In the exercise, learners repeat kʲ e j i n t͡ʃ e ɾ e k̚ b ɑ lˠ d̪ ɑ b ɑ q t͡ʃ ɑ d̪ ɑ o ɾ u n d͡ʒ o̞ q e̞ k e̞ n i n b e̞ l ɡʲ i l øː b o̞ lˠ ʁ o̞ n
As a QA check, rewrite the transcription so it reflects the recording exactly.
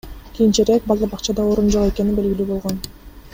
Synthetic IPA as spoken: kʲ i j i n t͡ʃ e ɾ e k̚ b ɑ lˠ d̪ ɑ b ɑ q t͡ʃ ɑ d̪ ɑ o ɾ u n d͡ʒ o̞ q e̞ k e̞ n i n b e̞ l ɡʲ i l yː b o̞ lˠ ʁ o̞ n